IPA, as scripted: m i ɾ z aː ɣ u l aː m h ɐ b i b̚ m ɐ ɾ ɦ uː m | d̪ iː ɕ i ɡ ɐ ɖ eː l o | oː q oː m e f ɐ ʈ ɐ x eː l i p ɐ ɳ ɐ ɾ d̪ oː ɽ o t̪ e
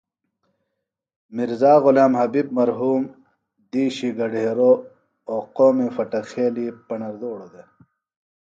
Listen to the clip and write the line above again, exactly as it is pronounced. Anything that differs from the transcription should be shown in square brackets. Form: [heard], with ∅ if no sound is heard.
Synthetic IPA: m i ɾ z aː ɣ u l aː m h ɐ b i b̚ m ɐ ɾ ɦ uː m | d̪ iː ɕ i ɡ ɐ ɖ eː [ɾ] o | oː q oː m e f ɐ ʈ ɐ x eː l i p ɐ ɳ ɐ ɾ d̪ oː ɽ o [d̪] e

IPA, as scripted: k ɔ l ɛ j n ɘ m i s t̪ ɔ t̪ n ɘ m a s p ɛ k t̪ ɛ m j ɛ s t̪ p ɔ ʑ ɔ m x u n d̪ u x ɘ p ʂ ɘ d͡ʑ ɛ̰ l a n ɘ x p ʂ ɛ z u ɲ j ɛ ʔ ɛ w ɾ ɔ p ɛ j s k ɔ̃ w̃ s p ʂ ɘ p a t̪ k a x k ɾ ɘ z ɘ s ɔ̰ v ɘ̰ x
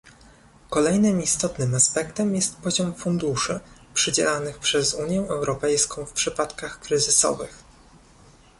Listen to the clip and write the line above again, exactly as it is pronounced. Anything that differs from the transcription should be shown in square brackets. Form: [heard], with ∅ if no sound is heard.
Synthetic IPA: k ɔ l ɛ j n ɘ m i s t̪ ɔ t̪ n ɘ m a s p ɛ k t̪ ɛ m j ɛ s t̪ p ɔ ʑ ɔ m [f] u n d̪ u [ʂ] ɘ p ʂ ɘ d͡ʑ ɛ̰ l a n ɘ x p ʂ ɛ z u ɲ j ɛ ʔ ɛ w ɾ ɔ p ɛ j s k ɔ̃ w̃ [f] p ʂ ɘ p a t̪ k a x k ɾ ɘ z ɘ s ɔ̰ v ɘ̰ x

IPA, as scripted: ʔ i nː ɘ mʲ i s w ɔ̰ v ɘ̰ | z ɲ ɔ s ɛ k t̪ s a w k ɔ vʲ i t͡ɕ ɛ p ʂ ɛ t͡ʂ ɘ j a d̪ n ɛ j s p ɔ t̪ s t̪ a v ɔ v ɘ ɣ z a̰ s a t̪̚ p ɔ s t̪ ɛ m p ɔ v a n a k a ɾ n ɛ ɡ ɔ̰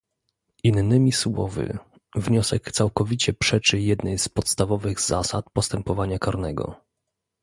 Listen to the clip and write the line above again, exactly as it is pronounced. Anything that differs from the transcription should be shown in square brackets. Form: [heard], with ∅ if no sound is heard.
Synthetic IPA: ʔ i nː ɘ mʲ i s w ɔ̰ v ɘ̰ | [v] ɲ ɔ s ɛ k t̪ s a w k ɔ vʲ i t͡ɕ ɛ p ʂ ɛ t͡ʂ ɘ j [ɛ] d̪ n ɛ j s p ɔ t̪ s t̪ a v ɔ v ɘ ɣ z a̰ s a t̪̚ p ɔ s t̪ ɛ m p ɔ v a [ɲ] a k a ɾ n ɛ ɡ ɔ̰

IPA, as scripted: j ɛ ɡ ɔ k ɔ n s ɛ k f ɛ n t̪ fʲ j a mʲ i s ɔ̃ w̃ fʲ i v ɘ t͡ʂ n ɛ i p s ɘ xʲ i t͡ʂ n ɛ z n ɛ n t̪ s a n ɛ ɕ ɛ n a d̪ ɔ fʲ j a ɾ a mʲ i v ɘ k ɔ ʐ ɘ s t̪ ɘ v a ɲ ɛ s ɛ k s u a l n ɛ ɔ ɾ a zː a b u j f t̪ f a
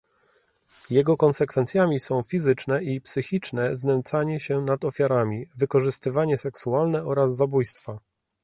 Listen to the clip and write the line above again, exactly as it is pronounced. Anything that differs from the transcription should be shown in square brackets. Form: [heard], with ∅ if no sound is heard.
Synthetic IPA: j ɛ ɡ ɔ k ɔ n s ɛ k f ɛ n t̪ [sʲ] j a mʲ i s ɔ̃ w̃ fʲ i [z] ɘ t͡ʂ n ɛ i p s ɘ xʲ i t͡ʂ n ɛ z n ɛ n t̪ s a [ɲ] ɛ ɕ ɛ n a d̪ ɔ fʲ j a ɾ a mʲ i v ɘ k ɔ ʐ ɘ s t̪ ɘ v a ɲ ɛ s ɛ k s u a l n ɛ ɔ ɾ a zː a b u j [s] t̪ f a

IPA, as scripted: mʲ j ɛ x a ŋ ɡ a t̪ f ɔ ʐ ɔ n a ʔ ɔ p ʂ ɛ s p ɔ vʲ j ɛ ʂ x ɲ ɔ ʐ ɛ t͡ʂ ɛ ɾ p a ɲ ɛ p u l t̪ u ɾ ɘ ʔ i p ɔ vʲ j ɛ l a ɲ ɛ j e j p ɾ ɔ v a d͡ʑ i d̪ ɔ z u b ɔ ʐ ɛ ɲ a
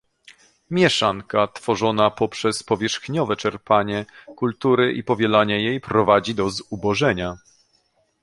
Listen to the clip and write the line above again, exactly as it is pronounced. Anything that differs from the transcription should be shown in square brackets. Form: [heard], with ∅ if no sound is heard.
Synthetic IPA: mʲ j ɛ [ʂ] a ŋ [k] a t̪ f ɔ ʐ ɔ n a [p] ɔ p ʂ ɛ s p ɔ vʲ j ɛ ʂ x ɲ ɔ [v] ɛ t͡ʂ ɛ ɾ p a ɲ ɛ [k] u l t̪ u ɾ ɘ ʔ i p ɔ vʲ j ɛ l a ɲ ɛ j e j p ɾ ɔ v a d͡ʑ i d̪ ɔ z u b ɔ ʐ ɛ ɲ a

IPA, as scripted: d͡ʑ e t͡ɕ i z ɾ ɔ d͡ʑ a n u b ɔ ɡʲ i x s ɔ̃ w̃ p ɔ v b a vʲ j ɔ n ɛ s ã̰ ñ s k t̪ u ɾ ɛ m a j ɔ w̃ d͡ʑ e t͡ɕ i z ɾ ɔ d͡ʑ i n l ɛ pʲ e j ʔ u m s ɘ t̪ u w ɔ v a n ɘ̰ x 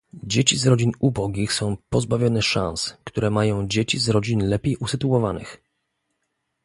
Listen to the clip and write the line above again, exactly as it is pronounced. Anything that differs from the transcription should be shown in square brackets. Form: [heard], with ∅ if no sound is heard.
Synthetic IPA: d͡ʑ e t͡ɕ i z ɾ ɔ d͡ʑ [i] n u b ɔ ɡʲ i x s ɔ̃ w̃ p ɔ [z] b a vʲ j ɔ n ɛ [ʂ] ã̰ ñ s k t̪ u ɾ ɛ m a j [ɔ̃] w̃ d͡ʑ e t͡ɕ i z ɾ ɔ d͡ʑ i n l ɛ pʲ e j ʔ u [∅] s ɘ t̪ u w ɔ v a n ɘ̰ x

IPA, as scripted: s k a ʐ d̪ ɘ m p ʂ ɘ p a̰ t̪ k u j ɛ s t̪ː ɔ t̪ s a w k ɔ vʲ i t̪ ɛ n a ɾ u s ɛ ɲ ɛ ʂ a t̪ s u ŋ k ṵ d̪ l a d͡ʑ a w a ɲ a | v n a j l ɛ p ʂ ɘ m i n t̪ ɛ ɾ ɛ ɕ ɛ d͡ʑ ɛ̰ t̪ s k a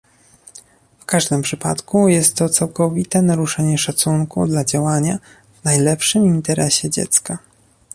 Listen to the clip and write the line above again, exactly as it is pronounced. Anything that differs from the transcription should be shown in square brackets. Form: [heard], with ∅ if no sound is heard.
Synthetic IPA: [f] k a ʐ d̪ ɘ m p ʂ ɘ p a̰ t̪ k u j ɛ s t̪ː ɔ t̪ s a w k ɔ vʲ i t̪ ɛ n a ɾ u [ʂ] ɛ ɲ ɛ ʂ a t̪ s u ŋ k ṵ d̪ l a d͡ʑ a w a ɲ a | v n a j l ɛ p ʂ ɘ m i n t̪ ɛ ɾ ɛ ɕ ɛ d͡ʑ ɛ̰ t̪ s k a

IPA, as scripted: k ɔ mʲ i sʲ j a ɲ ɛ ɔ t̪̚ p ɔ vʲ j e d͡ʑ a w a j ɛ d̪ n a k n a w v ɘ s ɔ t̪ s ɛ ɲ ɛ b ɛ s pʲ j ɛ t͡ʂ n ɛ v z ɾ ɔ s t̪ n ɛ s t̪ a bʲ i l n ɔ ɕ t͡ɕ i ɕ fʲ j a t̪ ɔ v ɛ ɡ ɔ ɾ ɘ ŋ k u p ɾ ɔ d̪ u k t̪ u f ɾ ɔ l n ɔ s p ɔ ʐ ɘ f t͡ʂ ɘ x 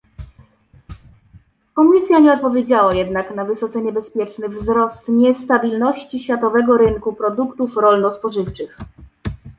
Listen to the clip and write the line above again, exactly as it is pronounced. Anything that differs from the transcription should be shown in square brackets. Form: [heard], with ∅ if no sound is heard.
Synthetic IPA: k ɔ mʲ i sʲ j a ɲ ɛ ɔ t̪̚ p ɔ vʲ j e d͡ʑ a w a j ɛ d̪ n a k n a [∅] v ɘ s ɔ t̪ s ɛ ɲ ɛ b ɛ s pʲ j ɛ t͡ʂ n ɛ v z ɾ ɔ s t̪ [ɲ] ɛ s t̪ a bʲ i l n ɔ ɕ t͡ɕ i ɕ fʲ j a t̪ ɔ v ɛ ɡ ɔ ɾ ɘ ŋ k u p ɾ ɔ d̪ u k t̪ u f ɾ ɔ l n ɔ s p ɔ ʐ ɘ f t͡ʂ ɘ x

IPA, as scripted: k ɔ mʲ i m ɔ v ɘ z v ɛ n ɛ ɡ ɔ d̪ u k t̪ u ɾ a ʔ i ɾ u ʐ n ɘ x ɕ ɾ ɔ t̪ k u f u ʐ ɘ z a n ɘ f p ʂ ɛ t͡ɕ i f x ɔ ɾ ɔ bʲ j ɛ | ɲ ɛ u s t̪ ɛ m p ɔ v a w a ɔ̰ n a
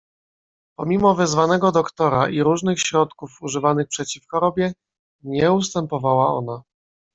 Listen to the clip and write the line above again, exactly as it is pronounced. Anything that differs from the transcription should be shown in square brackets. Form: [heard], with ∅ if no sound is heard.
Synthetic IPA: [p] ɔ mʲ i m ɔ v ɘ z v [a] n ɛ ɡ ɔ d̪ [ɔ] k t̪ [ɔ] ɾ a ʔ i ɾ u ʐ n ɘ x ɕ ɾ ɔ t̪ k u f u ʐ ɘ [v] a n ɘ [x] p ʂ ɛ t͡ɕ i f x ɔ ɾ ɔ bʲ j ɛ | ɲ ɛ u s t̪ ɛ m p ɔ v a w a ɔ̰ n a

